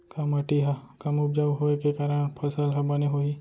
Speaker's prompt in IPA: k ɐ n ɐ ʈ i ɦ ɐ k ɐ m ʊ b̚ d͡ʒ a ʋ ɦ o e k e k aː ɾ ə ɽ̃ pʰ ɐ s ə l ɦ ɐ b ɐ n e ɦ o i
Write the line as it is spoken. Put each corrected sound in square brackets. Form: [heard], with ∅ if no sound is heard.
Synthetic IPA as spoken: k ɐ [m] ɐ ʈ i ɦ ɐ k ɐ m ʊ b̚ d͡ʒ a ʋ ɦ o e k e k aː ɾ ə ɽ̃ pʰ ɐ s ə l ɦ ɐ b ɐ n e ɦ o i